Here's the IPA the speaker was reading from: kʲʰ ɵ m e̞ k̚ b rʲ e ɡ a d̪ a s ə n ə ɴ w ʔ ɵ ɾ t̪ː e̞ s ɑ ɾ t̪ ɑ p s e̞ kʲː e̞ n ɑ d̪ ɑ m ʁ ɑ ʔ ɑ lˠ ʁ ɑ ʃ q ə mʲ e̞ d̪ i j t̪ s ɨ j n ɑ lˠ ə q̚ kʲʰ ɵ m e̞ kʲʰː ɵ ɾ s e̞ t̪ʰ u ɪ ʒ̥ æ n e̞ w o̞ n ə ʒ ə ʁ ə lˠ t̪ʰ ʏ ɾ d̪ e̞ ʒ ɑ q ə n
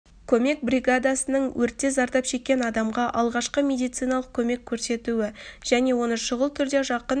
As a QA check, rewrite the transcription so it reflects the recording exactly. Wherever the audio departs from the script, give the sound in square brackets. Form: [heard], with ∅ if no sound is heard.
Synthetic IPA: kʲʰ ɵ m e̞ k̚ b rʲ [i] ɡ a d̪ a s ə n ə ɴ w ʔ ɵ ɾ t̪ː e̞ [z] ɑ ɾ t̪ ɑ p [ʃ] e̞ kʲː e̞ n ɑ d̪ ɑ m ʁ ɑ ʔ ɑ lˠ ʁ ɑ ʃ q ə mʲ e̞ d̪ i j t̪ s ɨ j n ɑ lˠ ə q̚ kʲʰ ɵ m e̞ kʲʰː ɵ ɾ s e̞ [t̪] u ɪ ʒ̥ æ n e̞ w o̞ n ə [ʃ] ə ʁ ə lˠ t̪ʰ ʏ ɾ d̪ e̞ ʒ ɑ q ə n